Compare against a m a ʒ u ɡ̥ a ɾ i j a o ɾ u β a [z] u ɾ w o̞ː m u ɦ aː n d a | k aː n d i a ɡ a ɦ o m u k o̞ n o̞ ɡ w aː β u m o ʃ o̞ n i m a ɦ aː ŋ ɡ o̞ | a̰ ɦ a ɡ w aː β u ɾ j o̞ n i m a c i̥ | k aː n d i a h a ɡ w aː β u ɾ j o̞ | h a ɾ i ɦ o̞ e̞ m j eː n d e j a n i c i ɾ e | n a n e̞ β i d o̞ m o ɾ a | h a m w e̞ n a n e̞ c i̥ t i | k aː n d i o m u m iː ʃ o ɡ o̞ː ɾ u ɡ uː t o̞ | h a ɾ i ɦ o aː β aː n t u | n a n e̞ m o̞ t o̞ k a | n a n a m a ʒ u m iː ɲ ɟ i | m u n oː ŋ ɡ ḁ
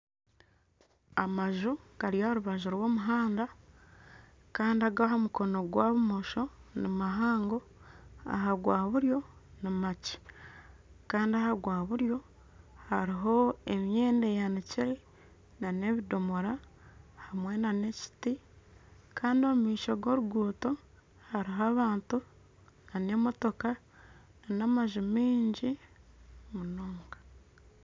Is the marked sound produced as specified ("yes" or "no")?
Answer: no